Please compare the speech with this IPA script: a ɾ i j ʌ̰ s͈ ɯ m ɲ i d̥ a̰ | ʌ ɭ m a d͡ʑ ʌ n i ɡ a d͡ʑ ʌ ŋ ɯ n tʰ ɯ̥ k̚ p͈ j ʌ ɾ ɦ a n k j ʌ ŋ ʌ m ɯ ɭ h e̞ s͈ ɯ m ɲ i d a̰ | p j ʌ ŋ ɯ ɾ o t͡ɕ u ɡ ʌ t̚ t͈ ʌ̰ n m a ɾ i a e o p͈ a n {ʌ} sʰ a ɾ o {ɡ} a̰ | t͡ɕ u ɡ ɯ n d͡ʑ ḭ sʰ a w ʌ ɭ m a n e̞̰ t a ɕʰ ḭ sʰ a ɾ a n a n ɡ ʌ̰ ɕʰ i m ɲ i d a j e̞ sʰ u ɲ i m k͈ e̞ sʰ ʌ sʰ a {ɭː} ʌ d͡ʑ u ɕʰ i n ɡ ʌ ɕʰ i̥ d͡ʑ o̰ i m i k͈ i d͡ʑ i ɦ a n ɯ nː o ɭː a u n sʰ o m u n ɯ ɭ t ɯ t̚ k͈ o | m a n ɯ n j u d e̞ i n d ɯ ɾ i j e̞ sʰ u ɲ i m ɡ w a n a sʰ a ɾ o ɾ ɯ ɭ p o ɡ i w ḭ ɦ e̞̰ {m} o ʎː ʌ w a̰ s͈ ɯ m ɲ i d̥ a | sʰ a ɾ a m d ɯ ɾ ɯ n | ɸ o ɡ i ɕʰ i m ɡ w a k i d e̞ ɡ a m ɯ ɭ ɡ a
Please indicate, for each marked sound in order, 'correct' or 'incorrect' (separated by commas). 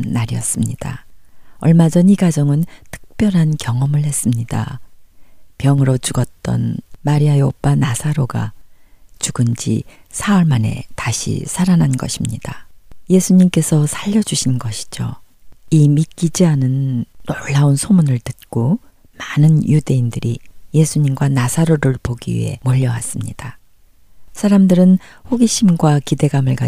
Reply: incorrect, correct, incorrect, correct